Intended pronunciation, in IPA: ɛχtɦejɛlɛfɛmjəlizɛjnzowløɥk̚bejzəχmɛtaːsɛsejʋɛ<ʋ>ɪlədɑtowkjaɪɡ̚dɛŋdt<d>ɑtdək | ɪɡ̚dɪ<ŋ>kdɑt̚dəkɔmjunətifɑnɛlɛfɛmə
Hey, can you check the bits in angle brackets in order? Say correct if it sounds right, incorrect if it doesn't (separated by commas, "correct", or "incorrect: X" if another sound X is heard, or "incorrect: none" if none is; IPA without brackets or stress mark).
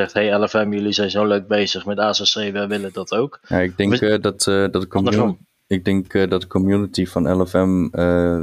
correct, correct, correct